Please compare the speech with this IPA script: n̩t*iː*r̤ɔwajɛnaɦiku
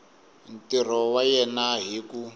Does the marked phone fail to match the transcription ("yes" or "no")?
yes